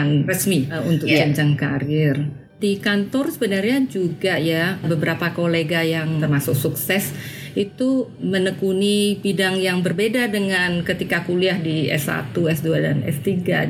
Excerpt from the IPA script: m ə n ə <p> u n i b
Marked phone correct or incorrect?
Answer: incorrect